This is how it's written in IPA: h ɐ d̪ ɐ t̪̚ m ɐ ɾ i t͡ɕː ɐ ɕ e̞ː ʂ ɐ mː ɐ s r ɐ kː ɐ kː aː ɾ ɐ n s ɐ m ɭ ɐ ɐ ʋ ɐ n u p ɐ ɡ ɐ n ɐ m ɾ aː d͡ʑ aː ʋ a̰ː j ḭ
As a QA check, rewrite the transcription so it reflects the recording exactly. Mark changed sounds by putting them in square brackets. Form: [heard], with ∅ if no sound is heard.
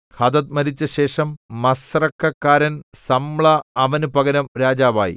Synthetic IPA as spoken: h ɐ d̪ ɐ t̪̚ m ɐ ɾ i t͡ɕː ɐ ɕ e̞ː ʂ ɐ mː ɐ s r ɐ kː ɐ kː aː ɾ ɐ n s ɐ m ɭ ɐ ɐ ʋ ɐ n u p ɐ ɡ ɐ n ɐ m ɾ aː d͡ʑ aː ʋ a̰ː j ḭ